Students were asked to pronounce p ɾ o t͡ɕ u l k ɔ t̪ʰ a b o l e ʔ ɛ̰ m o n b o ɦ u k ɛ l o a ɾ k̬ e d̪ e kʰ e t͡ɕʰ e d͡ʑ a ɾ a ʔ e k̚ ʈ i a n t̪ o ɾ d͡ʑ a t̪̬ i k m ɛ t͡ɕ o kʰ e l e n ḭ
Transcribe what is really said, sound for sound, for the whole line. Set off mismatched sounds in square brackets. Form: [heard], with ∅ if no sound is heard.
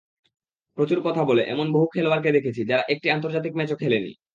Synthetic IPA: p ɾ o t͡ɕ u [ɾ] k ɔ t̪ʰ a b o l e ʔ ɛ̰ m o n b o ɦ u [kʰ] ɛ l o a ɾ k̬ e d̪ e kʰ e t͡ɕʰ [i] d͡ʑ a ɾ a ʔ e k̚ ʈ i a n t̪ o ɾ d͡ʑ a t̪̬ i k m ɛ t͡ɕ o kʰ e l e n ḭ